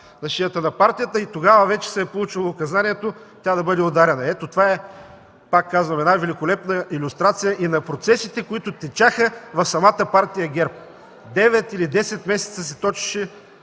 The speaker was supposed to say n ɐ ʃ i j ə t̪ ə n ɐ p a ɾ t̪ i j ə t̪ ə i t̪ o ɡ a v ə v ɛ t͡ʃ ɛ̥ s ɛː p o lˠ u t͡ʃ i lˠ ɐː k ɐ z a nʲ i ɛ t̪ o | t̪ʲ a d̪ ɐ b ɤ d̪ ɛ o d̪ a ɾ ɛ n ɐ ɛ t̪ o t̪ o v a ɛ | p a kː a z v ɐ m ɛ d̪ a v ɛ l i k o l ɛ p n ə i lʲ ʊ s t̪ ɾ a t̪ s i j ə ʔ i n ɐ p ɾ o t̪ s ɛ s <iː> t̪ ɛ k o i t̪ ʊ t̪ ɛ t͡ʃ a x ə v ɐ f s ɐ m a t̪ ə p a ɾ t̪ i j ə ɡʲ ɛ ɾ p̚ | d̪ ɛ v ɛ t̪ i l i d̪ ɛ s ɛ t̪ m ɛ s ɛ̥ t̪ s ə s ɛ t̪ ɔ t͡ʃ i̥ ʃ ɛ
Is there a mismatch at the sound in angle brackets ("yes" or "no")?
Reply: yes